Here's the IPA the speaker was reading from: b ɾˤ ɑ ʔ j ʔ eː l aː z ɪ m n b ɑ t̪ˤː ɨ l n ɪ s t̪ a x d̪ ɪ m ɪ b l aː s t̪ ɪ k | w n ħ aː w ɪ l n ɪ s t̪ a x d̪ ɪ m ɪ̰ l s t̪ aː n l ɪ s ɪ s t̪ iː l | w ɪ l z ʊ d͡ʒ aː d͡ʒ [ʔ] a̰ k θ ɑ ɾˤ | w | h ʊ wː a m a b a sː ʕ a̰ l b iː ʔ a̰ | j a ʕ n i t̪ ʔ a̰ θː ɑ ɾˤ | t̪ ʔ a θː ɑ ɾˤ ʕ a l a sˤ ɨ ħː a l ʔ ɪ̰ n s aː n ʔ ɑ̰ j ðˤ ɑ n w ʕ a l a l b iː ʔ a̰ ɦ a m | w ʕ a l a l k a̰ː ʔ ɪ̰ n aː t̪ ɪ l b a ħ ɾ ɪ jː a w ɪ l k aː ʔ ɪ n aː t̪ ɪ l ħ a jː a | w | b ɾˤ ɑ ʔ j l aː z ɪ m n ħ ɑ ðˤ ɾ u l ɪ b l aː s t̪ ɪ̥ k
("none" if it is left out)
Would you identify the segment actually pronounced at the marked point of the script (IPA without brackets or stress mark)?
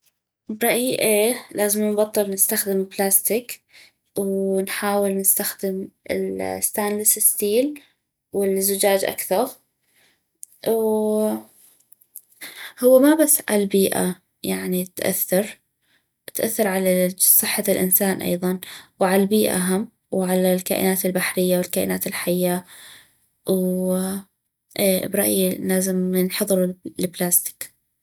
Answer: ʔ